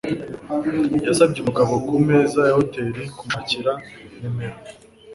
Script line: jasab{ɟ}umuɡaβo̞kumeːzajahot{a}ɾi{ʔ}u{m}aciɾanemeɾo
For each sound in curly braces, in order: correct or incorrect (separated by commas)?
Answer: correct, incorrect, incorrect, correct